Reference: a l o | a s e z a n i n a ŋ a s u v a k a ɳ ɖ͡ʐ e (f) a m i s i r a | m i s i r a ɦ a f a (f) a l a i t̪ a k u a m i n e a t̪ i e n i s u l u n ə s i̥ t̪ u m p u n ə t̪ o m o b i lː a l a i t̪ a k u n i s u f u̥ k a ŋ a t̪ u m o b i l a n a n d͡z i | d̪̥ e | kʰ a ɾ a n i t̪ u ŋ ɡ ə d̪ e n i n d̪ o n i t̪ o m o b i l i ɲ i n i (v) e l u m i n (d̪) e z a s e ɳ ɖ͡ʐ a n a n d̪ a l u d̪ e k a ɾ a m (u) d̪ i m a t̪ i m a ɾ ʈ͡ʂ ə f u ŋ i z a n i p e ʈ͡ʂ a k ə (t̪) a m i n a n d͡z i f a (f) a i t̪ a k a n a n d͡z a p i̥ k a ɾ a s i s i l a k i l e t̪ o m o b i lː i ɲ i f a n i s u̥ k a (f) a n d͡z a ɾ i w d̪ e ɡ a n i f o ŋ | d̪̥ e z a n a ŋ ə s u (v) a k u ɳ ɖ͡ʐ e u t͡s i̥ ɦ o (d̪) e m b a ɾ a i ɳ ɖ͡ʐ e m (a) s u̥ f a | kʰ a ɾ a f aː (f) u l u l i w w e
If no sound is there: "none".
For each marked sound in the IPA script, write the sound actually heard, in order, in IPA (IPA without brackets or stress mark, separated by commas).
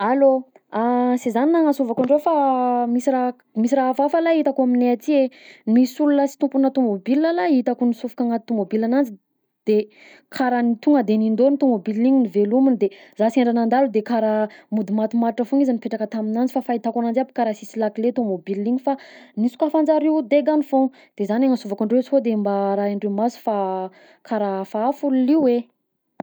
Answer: f, f, v, d̪, u, t̪, f, f, v, d̪, a, f